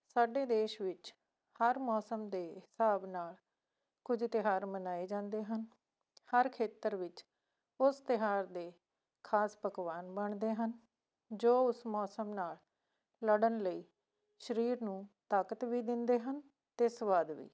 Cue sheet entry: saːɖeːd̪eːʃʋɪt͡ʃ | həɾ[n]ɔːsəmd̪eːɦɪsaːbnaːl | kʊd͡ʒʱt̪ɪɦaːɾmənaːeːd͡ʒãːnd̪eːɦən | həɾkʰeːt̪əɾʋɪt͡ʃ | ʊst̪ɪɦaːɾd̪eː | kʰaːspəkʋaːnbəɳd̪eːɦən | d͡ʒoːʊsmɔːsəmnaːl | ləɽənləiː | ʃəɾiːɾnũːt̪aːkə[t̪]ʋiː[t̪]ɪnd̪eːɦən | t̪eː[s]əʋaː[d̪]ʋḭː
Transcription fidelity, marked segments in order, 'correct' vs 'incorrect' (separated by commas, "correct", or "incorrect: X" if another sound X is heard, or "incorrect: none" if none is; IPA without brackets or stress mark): incorrect: m, correct, incorrect: d̪, correct, correct